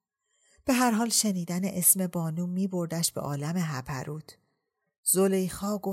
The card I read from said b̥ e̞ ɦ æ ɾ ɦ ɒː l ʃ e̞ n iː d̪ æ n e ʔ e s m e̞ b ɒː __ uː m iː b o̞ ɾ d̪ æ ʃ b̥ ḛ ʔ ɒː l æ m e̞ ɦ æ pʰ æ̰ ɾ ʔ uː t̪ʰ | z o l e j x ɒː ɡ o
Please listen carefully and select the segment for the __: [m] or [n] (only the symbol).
n